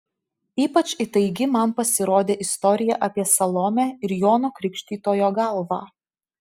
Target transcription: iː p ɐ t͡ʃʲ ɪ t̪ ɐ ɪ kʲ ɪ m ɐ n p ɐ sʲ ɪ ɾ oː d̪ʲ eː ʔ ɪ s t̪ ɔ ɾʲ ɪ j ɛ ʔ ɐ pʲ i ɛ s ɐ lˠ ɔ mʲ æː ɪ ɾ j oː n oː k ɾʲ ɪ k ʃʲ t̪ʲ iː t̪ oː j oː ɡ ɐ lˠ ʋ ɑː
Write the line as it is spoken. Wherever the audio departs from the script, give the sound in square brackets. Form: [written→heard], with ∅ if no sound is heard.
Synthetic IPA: iː p ɐ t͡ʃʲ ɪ t̪ ɐ ɪ [kʲ→ɡʲ] ɪ m ɐ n p ɐ sʲ ɪ ɾ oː d̪ʲ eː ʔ ɪ s t̪ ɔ ɾʲ ɪ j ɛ ʔ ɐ pʲ i ɛ s ɐ lˠ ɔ mʲ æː ɪ ɾ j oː n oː k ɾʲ ɪ k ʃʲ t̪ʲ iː t̪ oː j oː ɡ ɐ lˠ ʋ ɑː